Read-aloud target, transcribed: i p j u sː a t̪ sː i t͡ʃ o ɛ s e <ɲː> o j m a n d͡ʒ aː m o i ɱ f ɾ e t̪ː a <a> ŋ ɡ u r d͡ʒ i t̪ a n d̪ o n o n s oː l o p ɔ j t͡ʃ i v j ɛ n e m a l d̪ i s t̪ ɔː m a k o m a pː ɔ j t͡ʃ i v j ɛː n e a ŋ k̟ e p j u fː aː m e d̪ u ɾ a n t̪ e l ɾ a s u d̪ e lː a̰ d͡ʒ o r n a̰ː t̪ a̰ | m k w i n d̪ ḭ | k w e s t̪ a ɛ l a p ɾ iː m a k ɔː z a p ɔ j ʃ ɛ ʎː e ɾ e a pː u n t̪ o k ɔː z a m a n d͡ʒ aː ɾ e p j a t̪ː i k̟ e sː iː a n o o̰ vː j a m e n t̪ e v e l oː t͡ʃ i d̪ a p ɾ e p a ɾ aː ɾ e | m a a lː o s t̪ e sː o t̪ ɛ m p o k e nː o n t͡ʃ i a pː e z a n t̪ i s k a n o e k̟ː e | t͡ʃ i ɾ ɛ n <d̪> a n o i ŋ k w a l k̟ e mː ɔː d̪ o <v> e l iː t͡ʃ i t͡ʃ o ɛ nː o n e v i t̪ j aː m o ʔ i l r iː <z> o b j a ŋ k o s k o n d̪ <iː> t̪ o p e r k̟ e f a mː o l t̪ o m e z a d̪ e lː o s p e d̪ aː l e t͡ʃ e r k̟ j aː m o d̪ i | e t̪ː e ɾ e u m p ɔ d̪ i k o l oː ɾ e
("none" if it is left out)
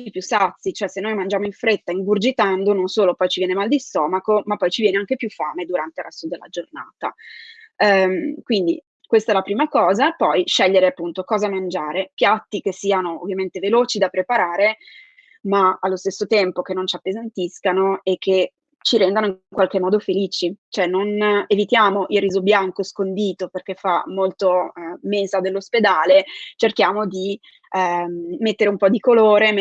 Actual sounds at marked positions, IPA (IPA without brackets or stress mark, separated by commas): nː, i, d̪, f, z, iː